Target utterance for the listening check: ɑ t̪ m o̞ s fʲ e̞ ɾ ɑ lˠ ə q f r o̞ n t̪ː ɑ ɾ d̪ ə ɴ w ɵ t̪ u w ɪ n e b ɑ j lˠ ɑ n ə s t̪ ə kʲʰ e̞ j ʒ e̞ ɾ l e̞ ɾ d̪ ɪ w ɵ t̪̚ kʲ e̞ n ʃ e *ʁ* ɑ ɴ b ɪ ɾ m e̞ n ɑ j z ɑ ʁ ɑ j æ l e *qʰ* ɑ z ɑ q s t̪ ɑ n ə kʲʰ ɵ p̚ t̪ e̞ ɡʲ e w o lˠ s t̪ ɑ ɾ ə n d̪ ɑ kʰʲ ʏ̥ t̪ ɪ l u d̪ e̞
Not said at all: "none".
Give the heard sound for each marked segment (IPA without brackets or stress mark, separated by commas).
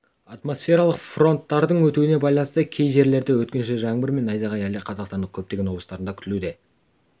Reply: ʒ, qʰ